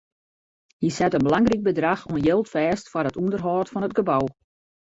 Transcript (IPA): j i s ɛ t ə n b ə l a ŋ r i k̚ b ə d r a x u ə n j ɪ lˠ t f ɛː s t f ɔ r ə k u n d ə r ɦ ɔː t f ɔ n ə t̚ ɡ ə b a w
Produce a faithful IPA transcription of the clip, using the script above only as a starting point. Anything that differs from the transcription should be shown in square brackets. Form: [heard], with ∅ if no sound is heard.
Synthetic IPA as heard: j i s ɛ t ə n b ə l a ŋ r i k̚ b ə d r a x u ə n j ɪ lˠ t f ɛː s t f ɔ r ə [t] u n d ə r ɦ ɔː t f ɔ n ə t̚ ɡ ə b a w